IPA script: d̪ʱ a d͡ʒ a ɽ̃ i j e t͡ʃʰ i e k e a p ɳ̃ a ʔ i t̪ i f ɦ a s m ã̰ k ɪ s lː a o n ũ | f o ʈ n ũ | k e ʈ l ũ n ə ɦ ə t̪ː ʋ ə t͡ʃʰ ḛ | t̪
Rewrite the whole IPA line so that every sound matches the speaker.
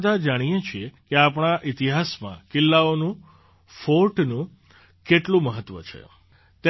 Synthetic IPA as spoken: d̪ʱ a d͡ʒ a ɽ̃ i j e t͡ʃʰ i e k e a p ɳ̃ a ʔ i t̪ i ɦ a s m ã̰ k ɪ lː a o n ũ | f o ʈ n ũ | k e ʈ l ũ m ə ɦ ə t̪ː ʋ ə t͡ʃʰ ḛ | t̪